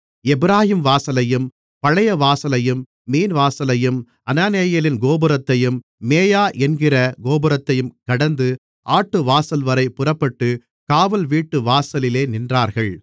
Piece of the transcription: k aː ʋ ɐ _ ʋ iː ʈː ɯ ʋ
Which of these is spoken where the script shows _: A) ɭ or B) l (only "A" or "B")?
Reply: B